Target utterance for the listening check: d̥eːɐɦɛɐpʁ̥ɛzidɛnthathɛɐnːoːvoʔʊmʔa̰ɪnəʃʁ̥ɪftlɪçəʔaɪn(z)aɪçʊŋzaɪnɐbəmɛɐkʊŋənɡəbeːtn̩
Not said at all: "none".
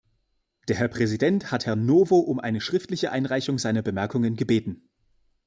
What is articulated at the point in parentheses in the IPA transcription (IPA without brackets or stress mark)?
ʁ